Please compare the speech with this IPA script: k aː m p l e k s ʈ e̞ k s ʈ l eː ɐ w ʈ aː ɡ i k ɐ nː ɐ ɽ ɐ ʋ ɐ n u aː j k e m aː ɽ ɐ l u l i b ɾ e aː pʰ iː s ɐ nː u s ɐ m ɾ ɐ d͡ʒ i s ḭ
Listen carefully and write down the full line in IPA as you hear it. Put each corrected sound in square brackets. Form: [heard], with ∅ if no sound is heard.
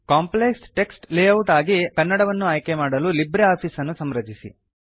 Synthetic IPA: k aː m p l e k s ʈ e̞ k s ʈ l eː ɐ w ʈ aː ɡ i k ɐ nː ɐ ɽ ɐ ʋ ɐ [nː] u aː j k e m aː ɽ ɐ l u l i b ɾ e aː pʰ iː s ɐ nː u s ɐ m ɾ ɐ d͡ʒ i s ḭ